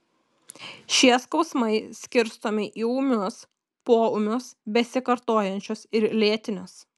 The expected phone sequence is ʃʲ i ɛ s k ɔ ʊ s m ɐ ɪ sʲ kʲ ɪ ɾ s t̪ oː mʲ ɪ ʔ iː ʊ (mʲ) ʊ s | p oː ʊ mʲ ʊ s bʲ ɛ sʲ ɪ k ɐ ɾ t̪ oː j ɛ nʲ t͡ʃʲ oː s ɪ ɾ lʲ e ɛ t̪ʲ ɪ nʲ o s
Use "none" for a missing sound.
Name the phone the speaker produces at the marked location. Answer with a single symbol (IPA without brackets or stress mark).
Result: mʲ